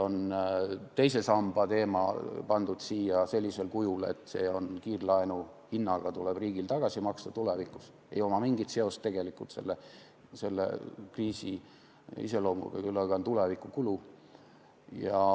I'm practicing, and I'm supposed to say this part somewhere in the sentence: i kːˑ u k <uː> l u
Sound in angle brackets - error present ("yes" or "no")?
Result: yes